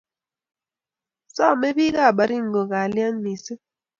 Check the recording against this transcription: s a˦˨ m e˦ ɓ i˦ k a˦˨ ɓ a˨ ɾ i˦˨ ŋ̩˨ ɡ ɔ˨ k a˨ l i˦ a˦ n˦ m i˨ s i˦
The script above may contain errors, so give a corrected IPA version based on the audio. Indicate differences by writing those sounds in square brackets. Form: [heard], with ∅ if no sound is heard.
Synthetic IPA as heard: s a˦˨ m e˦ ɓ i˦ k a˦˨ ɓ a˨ ɾ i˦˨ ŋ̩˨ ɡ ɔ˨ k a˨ l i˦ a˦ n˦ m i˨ s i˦